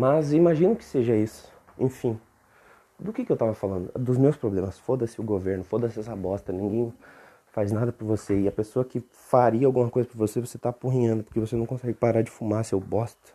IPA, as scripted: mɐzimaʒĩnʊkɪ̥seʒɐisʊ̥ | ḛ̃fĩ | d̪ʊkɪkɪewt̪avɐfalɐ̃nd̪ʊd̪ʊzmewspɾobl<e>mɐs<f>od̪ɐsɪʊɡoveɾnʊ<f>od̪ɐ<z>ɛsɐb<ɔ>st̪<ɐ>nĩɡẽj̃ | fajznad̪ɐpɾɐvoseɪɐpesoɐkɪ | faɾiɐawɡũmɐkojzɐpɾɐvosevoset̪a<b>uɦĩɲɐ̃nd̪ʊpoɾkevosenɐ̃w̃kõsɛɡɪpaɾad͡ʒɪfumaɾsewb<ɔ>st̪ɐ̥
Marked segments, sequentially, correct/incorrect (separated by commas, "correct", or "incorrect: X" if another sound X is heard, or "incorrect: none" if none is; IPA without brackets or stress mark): incorrect: ẽ, correct, correct, incorrect: s, correct, correct, incorrect: p, correct